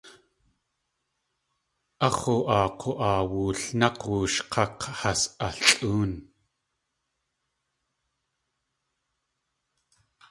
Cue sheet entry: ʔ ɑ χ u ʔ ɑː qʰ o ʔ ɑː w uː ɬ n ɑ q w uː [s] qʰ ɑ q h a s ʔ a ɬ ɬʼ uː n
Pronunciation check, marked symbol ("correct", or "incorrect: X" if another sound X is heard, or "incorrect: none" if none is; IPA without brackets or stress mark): incorrect: ʃ